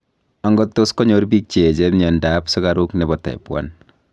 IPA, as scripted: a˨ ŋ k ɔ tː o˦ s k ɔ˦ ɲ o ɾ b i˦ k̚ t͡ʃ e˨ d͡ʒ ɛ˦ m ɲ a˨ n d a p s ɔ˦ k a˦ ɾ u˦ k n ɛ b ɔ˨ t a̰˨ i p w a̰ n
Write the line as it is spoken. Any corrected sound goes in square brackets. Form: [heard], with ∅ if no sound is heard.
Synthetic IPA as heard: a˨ ŋ [ɡ] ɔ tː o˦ s k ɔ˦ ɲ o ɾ b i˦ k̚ t͡ʃ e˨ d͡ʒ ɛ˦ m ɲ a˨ n d a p s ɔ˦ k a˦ ɾ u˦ k n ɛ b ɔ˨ t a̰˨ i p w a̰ n